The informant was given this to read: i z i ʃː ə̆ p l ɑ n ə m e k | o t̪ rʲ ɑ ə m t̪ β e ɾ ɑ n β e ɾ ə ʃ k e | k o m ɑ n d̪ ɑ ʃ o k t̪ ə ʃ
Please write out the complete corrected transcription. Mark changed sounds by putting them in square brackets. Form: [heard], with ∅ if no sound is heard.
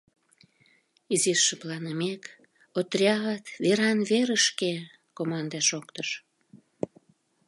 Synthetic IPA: i z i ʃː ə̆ p l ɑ n ə m e k | o t̪ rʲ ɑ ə [∅] t̪ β e ɾ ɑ n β e ɾ ə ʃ k e | k o m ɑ n d̪ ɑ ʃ o k t̪ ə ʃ